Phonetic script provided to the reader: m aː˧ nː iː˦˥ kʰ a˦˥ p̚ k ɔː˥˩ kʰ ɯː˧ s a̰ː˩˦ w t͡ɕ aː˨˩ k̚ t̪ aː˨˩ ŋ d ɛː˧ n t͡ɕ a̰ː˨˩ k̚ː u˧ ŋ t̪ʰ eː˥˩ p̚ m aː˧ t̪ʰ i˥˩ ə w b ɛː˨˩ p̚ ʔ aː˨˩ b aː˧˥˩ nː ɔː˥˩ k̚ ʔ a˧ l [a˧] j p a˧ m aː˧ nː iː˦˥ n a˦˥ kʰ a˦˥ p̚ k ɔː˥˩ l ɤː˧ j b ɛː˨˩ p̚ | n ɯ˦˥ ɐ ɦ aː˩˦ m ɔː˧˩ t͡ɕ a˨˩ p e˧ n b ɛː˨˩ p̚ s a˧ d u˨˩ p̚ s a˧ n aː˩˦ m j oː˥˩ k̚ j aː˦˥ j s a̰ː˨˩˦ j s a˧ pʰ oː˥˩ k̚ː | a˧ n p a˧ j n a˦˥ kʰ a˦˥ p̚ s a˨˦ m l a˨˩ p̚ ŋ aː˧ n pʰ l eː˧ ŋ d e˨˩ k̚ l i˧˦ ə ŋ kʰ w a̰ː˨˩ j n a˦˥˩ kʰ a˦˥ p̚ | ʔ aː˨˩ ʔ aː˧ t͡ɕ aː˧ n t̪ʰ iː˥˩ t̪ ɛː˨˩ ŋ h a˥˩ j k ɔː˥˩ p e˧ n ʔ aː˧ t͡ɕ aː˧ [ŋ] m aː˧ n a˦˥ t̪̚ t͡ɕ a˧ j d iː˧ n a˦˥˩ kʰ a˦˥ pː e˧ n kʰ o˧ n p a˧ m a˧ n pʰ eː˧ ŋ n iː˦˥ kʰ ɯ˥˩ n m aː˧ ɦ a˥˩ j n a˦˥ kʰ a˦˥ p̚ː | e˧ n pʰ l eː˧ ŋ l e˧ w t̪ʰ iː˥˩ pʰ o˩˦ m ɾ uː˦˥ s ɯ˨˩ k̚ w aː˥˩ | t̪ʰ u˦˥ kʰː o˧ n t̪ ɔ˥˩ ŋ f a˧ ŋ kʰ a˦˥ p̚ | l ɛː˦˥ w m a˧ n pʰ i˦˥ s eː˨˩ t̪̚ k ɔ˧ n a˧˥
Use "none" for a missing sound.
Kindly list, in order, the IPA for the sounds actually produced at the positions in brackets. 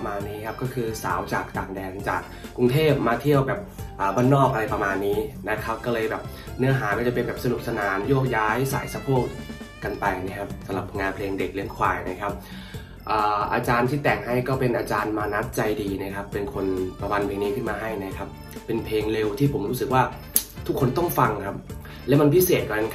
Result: a˧, n

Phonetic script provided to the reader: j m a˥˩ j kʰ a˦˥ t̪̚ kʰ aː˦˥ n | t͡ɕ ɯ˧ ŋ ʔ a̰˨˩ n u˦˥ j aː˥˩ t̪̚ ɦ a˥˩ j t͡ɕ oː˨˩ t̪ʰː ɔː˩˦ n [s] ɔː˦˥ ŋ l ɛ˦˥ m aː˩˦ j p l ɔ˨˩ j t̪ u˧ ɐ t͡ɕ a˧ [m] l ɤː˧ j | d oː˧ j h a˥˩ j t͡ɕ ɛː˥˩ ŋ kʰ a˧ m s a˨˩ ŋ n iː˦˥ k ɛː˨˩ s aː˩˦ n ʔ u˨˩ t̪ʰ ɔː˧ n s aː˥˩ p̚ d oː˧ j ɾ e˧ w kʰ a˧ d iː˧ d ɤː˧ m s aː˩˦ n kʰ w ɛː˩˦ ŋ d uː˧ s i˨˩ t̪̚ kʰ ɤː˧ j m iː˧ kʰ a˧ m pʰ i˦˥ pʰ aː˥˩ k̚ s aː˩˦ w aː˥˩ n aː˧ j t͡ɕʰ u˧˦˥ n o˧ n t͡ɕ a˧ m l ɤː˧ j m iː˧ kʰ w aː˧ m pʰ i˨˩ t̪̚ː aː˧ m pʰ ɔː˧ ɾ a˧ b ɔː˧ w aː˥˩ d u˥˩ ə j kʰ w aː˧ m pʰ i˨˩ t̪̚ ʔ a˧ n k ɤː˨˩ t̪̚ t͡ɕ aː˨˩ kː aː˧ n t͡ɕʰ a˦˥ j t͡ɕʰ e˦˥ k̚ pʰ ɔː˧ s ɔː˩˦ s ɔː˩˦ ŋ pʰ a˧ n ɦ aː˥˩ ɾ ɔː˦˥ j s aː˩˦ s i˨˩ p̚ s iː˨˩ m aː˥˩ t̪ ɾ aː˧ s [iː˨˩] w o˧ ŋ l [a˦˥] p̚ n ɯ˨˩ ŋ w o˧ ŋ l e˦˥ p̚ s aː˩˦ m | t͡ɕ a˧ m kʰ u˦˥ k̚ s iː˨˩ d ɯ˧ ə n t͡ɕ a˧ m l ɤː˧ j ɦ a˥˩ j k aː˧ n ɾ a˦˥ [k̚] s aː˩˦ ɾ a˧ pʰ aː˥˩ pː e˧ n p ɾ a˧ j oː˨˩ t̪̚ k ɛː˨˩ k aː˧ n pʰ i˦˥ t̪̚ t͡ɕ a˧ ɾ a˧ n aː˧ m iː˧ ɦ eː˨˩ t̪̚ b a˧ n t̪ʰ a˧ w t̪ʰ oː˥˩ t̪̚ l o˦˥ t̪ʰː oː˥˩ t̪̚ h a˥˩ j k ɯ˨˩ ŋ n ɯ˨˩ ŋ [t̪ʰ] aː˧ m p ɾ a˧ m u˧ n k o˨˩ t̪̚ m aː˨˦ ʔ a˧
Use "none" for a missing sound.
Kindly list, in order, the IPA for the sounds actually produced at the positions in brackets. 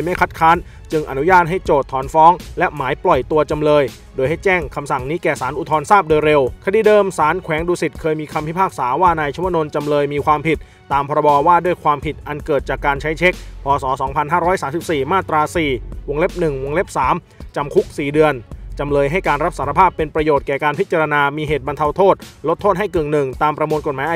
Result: f, m, iː˨˩, e˦˥, p̚, t̪

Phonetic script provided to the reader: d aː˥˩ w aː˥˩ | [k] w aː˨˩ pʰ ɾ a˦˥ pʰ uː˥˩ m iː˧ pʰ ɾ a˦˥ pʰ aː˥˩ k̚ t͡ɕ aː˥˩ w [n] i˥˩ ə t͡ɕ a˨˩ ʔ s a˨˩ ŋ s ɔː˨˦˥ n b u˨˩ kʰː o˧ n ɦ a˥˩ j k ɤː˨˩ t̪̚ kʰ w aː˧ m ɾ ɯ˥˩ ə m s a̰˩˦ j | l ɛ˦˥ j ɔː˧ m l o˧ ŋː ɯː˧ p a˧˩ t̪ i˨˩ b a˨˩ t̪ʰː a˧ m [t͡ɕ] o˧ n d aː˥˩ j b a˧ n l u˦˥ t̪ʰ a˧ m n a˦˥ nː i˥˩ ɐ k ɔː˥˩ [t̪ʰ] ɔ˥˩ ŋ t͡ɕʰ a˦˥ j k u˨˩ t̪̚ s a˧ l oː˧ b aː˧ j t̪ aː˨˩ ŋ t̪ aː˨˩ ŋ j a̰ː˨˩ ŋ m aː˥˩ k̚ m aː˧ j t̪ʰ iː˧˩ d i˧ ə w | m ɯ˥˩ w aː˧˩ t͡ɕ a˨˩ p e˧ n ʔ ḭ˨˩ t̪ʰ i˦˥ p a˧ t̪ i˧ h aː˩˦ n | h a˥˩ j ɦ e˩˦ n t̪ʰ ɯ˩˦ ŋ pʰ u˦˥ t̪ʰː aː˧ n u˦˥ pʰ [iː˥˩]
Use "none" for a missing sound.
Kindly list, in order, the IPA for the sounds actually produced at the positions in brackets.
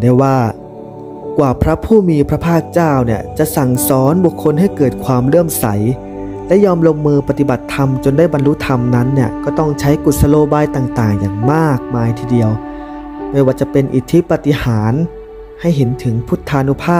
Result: k, n, t͡ɕ, t̪, aː˥˩

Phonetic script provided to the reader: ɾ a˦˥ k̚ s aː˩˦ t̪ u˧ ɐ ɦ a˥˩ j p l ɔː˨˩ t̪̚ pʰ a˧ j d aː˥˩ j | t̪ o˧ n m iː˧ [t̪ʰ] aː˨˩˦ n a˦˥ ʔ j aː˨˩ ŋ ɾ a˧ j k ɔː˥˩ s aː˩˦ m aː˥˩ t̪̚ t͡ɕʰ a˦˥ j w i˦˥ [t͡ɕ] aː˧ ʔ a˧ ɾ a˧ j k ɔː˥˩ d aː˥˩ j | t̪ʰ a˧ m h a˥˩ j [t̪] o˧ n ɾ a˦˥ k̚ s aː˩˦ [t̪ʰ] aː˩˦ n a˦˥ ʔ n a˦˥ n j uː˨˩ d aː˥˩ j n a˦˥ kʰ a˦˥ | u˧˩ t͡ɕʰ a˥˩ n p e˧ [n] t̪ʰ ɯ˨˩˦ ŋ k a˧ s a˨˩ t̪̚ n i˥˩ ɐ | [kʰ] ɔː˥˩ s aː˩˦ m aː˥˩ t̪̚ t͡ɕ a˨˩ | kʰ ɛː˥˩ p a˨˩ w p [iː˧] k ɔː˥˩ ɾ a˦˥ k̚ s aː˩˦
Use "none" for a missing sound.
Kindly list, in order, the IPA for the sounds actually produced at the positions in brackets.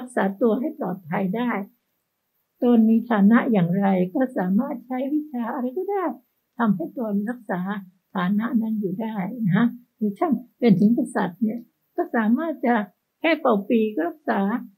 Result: t̪ʰ, t͡ɕʰ, t̪, t̪ʰ, n, k, iː˧

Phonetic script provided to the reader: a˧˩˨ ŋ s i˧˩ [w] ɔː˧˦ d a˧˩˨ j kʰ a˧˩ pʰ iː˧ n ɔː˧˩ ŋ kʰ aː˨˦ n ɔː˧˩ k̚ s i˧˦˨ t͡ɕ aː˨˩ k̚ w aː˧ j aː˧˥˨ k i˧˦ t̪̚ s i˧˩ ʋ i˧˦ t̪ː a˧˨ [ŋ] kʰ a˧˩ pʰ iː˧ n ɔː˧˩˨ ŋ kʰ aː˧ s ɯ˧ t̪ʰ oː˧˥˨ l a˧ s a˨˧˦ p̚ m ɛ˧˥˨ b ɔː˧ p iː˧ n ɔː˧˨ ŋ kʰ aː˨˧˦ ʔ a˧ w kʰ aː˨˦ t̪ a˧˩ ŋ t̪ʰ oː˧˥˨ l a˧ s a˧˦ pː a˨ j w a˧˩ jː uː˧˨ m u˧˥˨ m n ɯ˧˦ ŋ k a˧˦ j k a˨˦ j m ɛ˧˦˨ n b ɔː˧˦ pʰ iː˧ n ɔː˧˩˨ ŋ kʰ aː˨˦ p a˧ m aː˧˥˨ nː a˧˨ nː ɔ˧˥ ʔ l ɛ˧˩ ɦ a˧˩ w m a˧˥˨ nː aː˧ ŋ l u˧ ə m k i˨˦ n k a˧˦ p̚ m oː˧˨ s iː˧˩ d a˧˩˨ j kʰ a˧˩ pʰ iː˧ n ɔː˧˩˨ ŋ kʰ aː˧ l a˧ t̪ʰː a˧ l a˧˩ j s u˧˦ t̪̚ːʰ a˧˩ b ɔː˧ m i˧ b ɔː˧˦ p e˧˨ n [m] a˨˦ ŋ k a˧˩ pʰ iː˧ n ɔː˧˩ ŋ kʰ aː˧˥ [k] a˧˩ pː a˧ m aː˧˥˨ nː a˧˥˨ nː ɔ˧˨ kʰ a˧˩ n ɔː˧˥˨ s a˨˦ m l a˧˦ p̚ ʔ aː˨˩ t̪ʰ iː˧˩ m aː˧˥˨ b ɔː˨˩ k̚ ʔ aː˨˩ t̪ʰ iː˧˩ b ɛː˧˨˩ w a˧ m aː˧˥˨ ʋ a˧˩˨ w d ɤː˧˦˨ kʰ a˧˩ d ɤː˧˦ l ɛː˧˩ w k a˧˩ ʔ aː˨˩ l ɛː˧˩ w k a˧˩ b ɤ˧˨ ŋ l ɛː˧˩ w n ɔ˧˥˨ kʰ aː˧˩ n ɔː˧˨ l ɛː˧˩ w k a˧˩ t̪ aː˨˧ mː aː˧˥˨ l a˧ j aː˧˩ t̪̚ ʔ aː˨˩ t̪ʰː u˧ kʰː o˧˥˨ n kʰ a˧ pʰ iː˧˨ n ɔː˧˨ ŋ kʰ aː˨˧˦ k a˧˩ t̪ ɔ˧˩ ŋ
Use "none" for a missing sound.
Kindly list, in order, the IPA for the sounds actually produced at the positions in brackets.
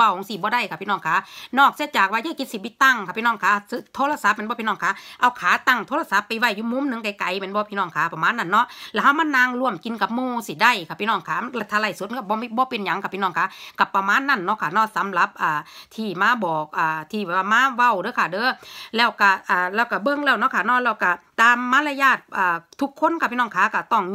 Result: b, ŋ, ɲ, k

